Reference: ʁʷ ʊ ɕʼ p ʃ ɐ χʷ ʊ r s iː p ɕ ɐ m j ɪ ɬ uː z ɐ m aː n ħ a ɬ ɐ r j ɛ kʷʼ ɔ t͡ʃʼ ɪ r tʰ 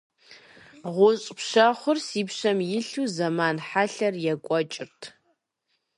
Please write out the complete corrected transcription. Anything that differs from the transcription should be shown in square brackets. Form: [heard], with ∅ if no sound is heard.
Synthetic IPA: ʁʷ ʊ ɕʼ p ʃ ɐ χʷ ʊ r s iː p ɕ ɐ m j ɪ ɬ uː z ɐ m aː n ħ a ɬ ɐ r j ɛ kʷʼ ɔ t͡ʃʼ ɪ r tʰ